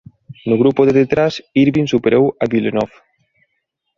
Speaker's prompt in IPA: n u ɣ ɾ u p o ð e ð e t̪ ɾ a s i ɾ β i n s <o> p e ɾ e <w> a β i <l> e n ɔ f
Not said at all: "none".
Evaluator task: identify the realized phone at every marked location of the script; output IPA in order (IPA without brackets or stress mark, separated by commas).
u, w, l